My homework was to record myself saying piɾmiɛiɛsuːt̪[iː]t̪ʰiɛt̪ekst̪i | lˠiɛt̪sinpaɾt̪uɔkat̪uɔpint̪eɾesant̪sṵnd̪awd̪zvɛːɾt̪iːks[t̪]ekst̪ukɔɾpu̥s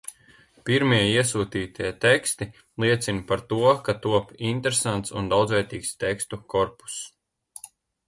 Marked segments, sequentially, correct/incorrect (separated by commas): correct, correct